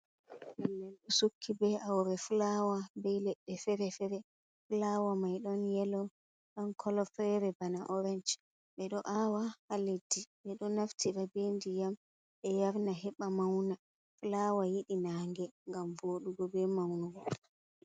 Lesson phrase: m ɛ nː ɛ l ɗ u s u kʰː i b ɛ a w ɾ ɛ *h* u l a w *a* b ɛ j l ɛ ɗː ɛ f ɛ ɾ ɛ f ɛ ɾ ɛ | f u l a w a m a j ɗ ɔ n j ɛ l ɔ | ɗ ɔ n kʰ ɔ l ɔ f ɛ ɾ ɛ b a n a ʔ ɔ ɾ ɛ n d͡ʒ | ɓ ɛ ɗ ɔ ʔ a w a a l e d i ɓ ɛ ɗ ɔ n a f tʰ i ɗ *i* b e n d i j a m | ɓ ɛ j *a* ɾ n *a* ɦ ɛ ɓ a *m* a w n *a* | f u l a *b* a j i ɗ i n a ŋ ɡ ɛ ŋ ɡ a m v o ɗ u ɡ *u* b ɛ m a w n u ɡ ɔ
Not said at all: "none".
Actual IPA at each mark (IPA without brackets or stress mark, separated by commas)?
f, a, a, a, a, m, a, w, ɔ